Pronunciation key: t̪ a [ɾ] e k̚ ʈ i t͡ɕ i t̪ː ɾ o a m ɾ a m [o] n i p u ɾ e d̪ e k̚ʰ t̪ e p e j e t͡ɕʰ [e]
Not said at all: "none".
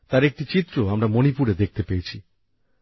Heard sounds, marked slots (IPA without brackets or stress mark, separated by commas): ɾ, o, i